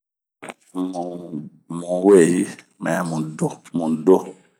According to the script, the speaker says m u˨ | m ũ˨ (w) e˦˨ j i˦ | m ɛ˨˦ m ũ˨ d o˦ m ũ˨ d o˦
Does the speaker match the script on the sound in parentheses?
yes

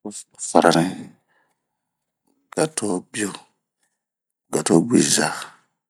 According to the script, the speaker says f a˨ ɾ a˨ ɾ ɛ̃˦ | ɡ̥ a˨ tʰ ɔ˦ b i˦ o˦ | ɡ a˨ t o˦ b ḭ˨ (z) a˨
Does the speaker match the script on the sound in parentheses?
yes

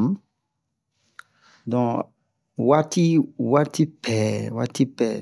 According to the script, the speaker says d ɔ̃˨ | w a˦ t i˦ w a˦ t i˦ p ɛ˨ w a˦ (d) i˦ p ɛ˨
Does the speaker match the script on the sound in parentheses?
no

